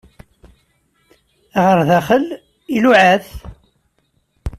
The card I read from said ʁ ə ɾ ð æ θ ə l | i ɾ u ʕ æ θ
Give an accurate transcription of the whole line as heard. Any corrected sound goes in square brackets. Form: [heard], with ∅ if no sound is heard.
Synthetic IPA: ʁ ə ɾ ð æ [χ] ə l | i [l] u ʕ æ θ